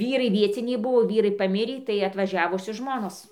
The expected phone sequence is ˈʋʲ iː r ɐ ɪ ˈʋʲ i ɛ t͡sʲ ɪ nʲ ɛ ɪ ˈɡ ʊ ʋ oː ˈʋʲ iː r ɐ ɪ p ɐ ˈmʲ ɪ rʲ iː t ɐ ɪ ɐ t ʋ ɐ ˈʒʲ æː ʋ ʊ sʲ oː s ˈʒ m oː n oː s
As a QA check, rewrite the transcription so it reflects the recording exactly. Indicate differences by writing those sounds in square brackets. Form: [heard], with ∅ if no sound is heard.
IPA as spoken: ˈʋʲ iː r ɐ ɪ ˈʋʲ i ɛ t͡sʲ ɪ nʲ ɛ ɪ [ˈb] ʊ ʋ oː ˈʋʲ iː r ɐ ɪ p ɐ ˈmʲ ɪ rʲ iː t ɐ ɪ ɐ t ʋ ɐ ˈʒʲ æː ʋ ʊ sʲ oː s ˈʒ m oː n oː s